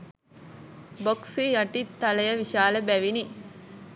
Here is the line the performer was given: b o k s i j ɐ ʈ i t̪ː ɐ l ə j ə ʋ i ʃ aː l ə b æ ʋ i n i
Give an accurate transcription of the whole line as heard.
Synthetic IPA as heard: b o k s i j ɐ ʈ i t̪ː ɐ l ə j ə ʋ i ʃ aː l ə b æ ʋ i n i